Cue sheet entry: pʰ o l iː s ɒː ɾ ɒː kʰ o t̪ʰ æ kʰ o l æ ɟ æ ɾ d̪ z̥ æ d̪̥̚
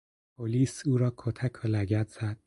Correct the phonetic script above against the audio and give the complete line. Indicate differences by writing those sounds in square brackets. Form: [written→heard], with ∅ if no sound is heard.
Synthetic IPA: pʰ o l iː s [ɒː→uː] ɾ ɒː kʰ o t̪ʰ æ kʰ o l æ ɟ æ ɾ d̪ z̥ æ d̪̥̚